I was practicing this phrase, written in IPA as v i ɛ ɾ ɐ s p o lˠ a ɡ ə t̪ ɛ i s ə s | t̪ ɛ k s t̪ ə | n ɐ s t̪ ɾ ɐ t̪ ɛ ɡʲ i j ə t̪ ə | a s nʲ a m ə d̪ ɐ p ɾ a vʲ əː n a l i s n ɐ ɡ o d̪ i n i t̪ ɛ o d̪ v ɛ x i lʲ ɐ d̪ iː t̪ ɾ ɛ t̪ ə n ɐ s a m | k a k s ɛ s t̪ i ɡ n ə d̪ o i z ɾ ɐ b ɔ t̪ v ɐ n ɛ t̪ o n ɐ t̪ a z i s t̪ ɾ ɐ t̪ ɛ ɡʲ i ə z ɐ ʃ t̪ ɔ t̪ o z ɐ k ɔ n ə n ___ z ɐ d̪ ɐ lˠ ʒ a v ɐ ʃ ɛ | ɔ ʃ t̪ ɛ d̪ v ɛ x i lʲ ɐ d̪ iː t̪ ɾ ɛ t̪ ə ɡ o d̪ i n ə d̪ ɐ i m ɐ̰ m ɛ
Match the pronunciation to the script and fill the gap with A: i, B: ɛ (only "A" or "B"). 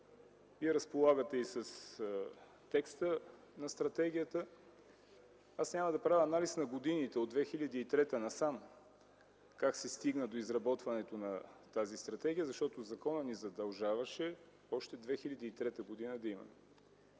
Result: A